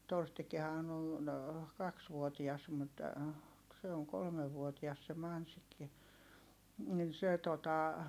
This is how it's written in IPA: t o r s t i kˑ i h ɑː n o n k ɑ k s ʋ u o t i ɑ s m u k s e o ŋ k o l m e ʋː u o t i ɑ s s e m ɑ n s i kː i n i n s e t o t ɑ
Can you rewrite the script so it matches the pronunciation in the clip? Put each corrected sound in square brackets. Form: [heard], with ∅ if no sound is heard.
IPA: t o r s t i kˑ i h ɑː n o n k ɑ k s ʋ u o t i ɑ s m u [t] s e o ŋ k o l m e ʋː u o t i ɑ s s e m ɑ n s i kː i n i n s e t o t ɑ